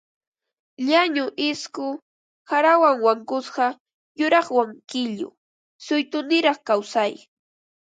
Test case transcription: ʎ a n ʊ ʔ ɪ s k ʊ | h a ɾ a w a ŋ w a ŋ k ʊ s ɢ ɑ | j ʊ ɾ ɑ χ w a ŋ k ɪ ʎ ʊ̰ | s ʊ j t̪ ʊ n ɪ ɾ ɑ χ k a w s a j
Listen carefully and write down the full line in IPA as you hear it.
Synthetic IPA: ʎ a ɲ ʊ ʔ ɪ s k ʊ | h a ɾ a w a ŋ w a ŋ k ʊ s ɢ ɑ | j ʊ ɾ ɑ χ w a ŋ k ɪ ʎ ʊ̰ | s ʊ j t̪ ʊ n ɪ ɾ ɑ χ k a w s a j